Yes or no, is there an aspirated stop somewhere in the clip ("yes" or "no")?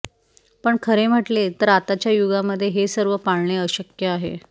yes